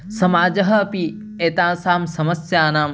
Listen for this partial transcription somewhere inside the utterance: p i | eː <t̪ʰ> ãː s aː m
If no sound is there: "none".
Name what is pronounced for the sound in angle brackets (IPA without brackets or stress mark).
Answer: t̪